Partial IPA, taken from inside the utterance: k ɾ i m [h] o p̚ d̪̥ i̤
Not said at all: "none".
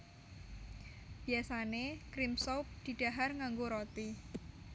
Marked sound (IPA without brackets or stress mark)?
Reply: s